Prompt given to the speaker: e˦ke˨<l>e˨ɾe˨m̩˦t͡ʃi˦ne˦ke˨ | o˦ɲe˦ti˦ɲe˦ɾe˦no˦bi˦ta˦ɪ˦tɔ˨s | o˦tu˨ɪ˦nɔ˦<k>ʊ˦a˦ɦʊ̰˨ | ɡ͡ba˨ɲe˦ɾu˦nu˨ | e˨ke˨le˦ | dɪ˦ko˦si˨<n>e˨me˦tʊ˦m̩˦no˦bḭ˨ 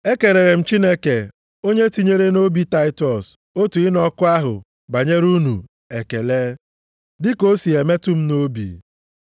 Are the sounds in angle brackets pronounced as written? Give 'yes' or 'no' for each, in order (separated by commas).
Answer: no, yes, no